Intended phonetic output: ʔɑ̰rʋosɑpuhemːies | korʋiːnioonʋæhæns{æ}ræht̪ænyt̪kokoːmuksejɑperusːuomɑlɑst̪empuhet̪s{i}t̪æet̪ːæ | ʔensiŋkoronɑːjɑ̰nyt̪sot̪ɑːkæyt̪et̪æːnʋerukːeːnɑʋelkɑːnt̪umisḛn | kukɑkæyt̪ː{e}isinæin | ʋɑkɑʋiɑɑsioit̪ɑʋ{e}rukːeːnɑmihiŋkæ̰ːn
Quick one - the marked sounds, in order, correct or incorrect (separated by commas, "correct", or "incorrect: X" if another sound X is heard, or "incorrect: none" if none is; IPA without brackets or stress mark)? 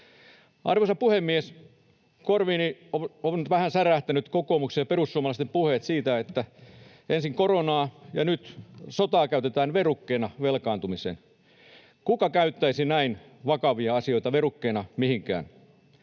correct, incorrect: iː, incorrect: æ, correct